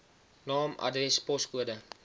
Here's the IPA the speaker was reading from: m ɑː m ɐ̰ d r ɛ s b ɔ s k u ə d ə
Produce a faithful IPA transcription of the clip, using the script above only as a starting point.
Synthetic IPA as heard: n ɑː m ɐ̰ d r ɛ s p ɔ s k u ə d ə